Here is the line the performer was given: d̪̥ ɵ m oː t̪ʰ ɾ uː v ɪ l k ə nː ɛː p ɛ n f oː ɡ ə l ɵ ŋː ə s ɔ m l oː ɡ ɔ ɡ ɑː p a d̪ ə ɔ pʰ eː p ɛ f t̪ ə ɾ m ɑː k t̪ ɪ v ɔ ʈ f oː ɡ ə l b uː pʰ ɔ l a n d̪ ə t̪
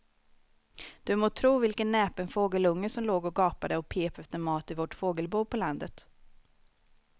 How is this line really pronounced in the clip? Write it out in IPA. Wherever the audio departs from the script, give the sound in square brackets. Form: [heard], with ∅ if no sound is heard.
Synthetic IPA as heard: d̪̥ ɵ m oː t̪ʰ ɾ uː v ɪ l k ə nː ɛː p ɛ n f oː ɡ ə l ɵ ŋː ə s ɔ m l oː ɡ ɔ ɡ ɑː p a d̪ ə ɔ pʰ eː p ɛ f t̪ ə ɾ m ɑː [∅] t̪ ɪ v ɔ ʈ f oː ɡ ə l b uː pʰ ɔ l a n d̪ ə t̪

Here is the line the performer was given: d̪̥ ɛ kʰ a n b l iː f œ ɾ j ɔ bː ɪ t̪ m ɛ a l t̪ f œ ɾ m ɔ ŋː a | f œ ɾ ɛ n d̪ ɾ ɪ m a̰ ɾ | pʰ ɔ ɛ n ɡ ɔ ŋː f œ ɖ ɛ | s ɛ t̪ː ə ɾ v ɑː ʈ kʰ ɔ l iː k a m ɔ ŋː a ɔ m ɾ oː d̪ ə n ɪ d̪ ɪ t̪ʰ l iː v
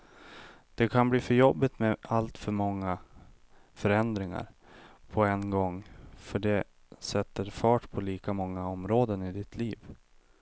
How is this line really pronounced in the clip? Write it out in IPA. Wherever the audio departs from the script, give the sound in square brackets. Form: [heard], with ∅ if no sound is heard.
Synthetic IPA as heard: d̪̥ ɛ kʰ a n b l iː f œ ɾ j ɔ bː ɪ t̪ m ɛ a l t̪ f œ ɾ m ɔ ŋː a | f œ ɾ ɛ n d̪ ɾ ɪ [ŋ] a̰ ɾ | pʰ ɔ ɛ n ɡ ɔ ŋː f œ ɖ ɛ | s ɛ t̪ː ə ɾ [f] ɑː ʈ [pʰ] ɔ l iː k a m ɔ ŋː a ɔ m ɾ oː d̪ ə n ɪ d̪ ɪ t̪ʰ l iː v

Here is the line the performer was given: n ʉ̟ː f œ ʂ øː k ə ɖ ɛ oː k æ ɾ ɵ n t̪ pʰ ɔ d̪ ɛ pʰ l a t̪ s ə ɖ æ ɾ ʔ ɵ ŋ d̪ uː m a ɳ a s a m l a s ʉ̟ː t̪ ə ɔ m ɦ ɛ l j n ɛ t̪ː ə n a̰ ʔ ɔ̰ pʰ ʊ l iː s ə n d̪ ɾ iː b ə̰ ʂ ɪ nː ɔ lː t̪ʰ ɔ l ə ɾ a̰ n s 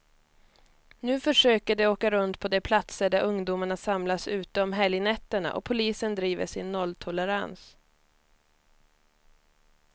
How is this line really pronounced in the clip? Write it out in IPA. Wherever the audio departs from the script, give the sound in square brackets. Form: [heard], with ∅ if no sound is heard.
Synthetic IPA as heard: n ʉ̟ː f œ ʂ øː k ə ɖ ɛ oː k [a] ɾ ɵ n t̪ pʰ ɔ d̪ ɛ pʰ l a t̪ s ə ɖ æ ɾ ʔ ɵ ŋ d̪ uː m a ɳ a s a m l a s ʉ̟ː t̪ ə ɔ m ɦ ɛ l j n ɛ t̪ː ə [ɳ] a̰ ʔ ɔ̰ pʰ ʊ l iː s ə n d̪ ɾ iː [v] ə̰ ʂ ɪ nː ɔ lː t̪ʰ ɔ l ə ɾ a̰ n s

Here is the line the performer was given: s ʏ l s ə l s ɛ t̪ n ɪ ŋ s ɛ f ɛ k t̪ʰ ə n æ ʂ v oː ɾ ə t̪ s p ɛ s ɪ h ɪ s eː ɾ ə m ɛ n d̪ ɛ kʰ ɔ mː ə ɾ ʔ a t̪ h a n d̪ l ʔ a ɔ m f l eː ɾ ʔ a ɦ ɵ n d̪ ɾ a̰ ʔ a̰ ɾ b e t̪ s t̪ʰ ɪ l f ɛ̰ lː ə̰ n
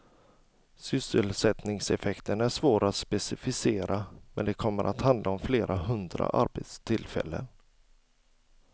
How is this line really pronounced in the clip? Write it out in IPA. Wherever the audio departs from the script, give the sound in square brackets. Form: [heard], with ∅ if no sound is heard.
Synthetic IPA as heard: s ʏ [∅] s ə l s ɛ t̪ n ɪ ŋ s ɛ f ɛ k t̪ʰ ə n æ ʂ v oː ɾ [a] t̪ s p ɛ s ɪ [f] ɪ s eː ɾ [a] m ɛ n d̪ ɛ kʰ ɔ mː ə ɾ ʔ a t̪ h a n d̪ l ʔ a ɔ m f l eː ɾ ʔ a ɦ ɵ n d̪ ɾ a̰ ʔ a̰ ɾ b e t̪ s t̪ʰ ɪ l f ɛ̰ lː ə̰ n

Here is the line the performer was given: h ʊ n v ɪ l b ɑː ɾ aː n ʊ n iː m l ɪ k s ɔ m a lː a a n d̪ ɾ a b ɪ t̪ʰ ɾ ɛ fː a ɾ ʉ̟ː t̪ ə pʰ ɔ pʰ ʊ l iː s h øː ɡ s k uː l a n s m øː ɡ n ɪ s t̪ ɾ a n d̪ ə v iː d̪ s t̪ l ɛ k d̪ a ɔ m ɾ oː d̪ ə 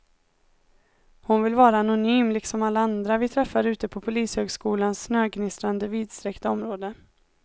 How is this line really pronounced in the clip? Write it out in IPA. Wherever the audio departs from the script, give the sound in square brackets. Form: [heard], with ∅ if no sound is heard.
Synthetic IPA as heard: h ʊ n v ɪ l [v] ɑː ɾ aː n ʊ n [yː] m l ɪ k s ɔ m a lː a a n d̪ ɾ a [v] ɪ t̪ʰ ɾ ɛ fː a ɾ ʉ̟ː t̪ ə pʰ ɔ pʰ ʊ l iː s h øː ɡ s k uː l a n s [n] øː ɡ n ɪ s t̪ ɾ a n d̪ ə v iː d̪ s t̪ [ɾ] ɛ k [t̪] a ɔ m ɾ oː d̪ ə

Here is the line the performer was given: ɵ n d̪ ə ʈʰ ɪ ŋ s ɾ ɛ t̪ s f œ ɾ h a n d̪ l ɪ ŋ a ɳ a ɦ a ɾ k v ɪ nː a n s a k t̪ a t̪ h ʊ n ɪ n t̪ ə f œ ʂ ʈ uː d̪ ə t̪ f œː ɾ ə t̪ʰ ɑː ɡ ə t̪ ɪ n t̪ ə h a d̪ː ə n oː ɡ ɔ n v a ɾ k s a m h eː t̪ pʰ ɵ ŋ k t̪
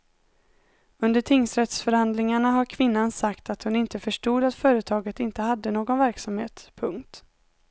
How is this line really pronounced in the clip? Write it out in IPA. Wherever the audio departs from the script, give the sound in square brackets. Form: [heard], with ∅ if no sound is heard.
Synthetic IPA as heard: ɵ n d̪ ə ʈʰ ɪ ŋ s ɾ ɛ t̪ s f œ ɾ h a n d̪ l ɪ ŋ a ɳ a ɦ a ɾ [kʰ] v ɪ nː a n s a k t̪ a t̪ h ʊ n ɪ n t̪ ə f œ ʂ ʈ uː d̪ [a] t̪ f œː ɾ ə t̪ʰ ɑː ɡ ə t̪ ɪ n t̪ ə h a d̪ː ə n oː ɡ ɔ n v [æ] ɾ k s a m h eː t̪ pʰ ɵ ŋ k t̪

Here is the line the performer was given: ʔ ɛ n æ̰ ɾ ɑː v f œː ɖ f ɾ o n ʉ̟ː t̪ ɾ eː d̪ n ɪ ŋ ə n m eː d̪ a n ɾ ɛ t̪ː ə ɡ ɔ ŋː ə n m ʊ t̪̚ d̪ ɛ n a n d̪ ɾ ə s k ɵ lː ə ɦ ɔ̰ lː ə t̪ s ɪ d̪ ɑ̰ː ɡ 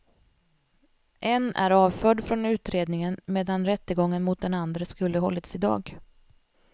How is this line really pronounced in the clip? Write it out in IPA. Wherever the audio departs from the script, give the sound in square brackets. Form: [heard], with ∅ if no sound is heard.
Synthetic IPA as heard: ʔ ɛ n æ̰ ɾ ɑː v f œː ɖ f ɾ [ɔ] n ʉ̟ː t̪ ɾ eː d̪ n ɪ ŋ ə n m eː d̪ a n ɾ ɛ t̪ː ə ɡ ɔ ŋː ə n m ʊ t̪̚ d̪ ɛ n a n d̪ ɾ ə s k ɵ lː ə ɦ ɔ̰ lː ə t̪ s ɪ d̪ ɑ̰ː ɡ

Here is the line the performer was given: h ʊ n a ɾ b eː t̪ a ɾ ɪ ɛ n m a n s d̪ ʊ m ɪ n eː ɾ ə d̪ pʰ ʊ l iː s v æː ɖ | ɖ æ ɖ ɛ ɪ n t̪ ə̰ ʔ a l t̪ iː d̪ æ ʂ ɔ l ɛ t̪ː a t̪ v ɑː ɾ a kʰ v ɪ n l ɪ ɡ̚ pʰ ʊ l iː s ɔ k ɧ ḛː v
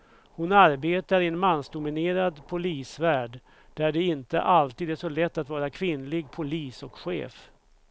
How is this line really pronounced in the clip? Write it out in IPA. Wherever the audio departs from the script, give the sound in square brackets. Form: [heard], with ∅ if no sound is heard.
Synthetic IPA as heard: h ʊ n a ɾ b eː t̪ a ɾ ɪ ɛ n m a n s d̪ ʊ m ɪ n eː ɾ [a] d̪ pʰ ʊ l iː s v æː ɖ | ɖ æ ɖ ɛ ɪ n t̪ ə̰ ʔ a l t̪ iː d̪ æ ʂ ɔ l ɛ t̪ː a t̪ v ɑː ɾ a kʰ v ɪ n l ɪ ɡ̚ pʰ ʊ l iː s ɔ k ɧ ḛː [f]

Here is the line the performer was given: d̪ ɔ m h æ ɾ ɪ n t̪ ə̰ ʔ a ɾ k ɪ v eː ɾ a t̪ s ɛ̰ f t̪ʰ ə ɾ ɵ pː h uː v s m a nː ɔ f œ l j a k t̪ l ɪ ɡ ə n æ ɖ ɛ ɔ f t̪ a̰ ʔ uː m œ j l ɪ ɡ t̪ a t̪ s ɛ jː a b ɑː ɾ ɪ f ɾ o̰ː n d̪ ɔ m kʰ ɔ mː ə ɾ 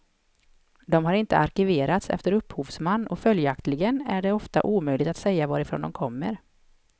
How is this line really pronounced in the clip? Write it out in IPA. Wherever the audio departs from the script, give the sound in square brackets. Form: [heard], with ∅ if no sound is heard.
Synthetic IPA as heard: d̪ ɔ m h [a] ɾ ɪ n t̪ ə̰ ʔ a ɾ k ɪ v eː ɾ a t̪ s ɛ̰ f [t̪] ə ɾ ɵ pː h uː v s m a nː ɔ f œ l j a k t̪ l ɪ ɡ ə n æ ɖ ɛ ɔ f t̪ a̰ ʔ uː m œ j l ɪ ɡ t̪ a t̪ s ɛ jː a [v] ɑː ɾ ɪ f ɾ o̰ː n d̪ ɔ m kʰ ɔ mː ə ɾ

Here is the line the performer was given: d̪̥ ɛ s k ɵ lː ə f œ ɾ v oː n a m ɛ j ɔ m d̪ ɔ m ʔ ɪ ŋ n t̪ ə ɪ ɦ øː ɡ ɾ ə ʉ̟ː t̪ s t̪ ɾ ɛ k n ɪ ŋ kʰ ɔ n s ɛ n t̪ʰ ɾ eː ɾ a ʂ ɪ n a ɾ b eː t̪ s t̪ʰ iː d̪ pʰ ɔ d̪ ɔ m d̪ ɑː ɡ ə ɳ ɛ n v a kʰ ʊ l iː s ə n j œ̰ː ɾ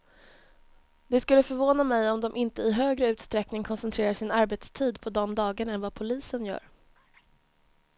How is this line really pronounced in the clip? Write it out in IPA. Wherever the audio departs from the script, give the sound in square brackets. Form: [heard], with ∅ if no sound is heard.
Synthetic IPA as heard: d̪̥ ɛ s k ɵ lː ə f œ ɾ v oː n a m ɛ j ɔ m d̪ ɔ m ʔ ɪ [∅] n t̪ ə ɪ ɦ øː ɡ ɾ ə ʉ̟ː t̪ s t̪ ɾ ɛ k n ɪ ŋ kʰ ɔ n s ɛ n t̪ʰ ɾ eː ɾ a ʂ ɪ n a ɾ b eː t̪ s t̪ʰ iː d̪ pʰ ɔ d̪ ɔ m d̪ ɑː ɡ ə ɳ ɛ n v a [pʰ] ʊ l iː s ə n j œ̰ː ɾ

